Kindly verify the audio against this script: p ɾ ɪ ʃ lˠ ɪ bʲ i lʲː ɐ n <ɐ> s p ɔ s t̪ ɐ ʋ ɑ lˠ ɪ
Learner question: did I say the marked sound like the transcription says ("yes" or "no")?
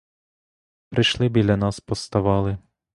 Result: no